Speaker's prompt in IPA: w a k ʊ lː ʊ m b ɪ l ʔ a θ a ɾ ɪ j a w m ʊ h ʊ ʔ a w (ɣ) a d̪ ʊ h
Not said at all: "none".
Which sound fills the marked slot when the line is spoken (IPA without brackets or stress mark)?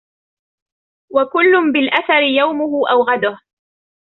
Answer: ɣ